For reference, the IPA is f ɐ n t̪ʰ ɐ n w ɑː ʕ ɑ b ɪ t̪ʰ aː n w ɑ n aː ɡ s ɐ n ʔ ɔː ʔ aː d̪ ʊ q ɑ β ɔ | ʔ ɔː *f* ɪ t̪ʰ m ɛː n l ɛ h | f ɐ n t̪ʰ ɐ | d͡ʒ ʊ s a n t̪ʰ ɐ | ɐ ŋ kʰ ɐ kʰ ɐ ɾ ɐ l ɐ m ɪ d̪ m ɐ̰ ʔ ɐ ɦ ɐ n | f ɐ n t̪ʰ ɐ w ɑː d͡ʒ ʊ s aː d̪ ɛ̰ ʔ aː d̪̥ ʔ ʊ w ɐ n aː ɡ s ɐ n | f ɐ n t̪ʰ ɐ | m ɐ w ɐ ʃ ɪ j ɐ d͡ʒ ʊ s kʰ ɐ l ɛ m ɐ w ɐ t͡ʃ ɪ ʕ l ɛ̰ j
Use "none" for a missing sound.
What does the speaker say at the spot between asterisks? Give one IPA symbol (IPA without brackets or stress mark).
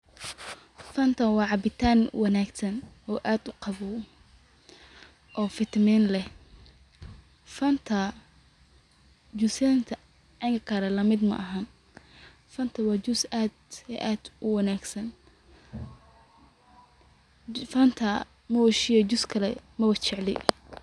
f